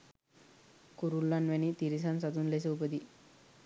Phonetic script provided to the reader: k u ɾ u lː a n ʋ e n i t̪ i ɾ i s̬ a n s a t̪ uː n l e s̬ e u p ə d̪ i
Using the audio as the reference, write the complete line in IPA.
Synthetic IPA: k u ɾ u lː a n ʋ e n i t̪ i ɾ i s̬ a n s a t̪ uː n l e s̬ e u p ə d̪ i